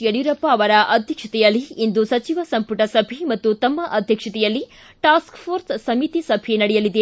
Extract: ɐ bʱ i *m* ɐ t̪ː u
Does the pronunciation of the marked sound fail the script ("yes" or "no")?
no